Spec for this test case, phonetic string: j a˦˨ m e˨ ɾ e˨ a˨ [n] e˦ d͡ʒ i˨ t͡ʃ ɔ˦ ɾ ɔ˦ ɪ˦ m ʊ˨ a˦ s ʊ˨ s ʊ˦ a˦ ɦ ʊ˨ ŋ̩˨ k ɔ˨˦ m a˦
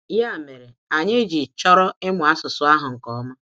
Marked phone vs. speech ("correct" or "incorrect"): incorrect